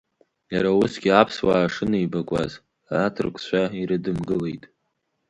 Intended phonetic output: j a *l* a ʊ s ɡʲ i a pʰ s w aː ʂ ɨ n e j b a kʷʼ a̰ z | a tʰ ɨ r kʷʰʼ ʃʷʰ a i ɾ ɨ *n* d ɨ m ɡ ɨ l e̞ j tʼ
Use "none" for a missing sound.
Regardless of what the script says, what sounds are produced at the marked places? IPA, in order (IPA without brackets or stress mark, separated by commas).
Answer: ɾ, none